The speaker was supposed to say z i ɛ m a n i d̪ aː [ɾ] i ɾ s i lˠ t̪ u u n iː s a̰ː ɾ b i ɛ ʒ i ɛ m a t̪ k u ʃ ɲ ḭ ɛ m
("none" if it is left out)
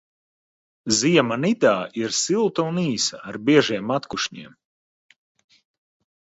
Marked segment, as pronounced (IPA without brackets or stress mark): none